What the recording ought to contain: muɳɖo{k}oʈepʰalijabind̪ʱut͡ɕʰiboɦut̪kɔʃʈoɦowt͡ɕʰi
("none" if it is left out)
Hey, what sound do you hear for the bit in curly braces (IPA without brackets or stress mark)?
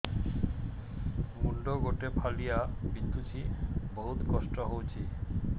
ɡ